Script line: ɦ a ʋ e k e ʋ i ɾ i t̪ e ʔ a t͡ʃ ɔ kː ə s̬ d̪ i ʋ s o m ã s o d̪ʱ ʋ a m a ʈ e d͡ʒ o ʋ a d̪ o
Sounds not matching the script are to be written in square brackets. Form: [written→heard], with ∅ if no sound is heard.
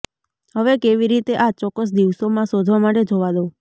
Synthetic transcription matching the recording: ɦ [a→ə] ʋ e k e ʋ i ɾ i t̪ e ʔ a t͡ʃ ɔ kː ə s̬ d̪ i ʋ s o m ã s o d̪ʱ ʋ a m a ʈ e d͡ʒ o ʋ a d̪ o